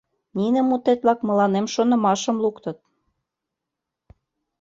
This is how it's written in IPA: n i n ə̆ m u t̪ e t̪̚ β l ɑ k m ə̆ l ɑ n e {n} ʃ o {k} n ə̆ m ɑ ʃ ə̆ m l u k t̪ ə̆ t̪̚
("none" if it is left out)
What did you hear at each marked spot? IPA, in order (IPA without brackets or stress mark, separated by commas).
m, none